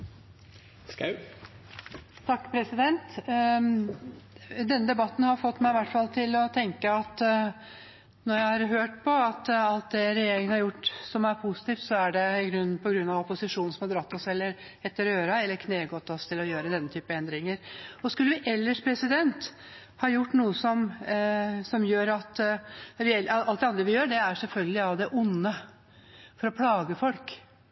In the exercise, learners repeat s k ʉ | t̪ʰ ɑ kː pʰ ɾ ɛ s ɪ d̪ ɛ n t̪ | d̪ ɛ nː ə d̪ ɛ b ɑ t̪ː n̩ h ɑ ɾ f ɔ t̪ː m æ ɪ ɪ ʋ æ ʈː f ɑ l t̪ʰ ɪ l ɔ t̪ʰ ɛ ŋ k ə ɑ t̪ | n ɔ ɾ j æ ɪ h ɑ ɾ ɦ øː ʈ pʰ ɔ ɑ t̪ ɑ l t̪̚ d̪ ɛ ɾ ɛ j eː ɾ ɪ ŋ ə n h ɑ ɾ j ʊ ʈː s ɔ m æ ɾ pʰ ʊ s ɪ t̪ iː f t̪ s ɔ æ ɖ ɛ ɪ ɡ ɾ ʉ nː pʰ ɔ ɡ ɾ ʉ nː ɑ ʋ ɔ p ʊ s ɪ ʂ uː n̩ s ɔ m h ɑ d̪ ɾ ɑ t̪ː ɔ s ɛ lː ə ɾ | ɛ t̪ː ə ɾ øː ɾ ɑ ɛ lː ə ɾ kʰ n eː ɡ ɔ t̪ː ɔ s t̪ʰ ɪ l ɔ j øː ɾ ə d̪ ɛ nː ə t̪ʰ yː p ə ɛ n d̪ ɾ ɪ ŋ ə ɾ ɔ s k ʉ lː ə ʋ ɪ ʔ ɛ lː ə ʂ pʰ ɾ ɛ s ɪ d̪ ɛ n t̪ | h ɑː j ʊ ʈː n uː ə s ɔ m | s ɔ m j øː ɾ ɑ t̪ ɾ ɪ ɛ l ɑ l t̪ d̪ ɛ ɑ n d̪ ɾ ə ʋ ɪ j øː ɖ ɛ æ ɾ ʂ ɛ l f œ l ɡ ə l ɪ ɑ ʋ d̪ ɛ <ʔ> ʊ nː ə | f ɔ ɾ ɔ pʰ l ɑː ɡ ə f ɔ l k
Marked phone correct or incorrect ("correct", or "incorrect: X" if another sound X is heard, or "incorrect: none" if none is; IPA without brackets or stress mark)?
correct